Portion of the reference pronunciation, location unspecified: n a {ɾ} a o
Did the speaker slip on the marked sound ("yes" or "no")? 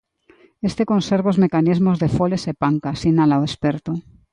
yes